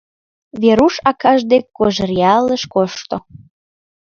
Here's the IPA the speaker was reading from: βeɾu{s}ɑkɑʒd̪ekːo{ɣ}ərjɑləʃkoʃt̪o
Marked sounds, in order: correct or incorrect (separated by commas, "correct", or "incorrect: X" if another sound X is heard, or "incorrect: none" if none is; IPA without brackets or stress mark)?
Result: incorrect: ʃ, incorrect: ʒ